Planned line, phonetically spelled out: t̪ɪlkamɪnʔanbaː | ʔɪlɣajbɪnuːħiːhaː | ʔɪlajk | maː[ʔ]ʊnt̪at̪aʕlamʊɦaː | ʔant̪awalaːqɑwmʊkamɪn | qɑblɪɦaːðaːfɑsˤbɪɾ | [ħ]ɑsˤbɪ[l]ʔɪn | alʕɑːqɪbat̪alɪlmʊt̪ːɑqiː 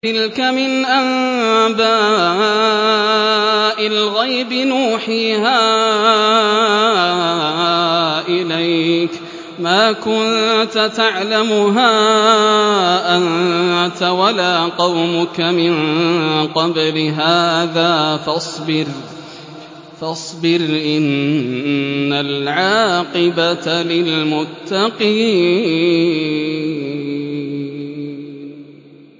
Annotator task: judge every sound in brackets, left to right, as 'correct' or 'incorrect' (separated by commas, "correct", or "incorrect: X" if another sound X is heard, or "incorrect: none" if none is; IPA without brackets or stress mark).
incorrect: k, incorrect: f, incorrect: ɾ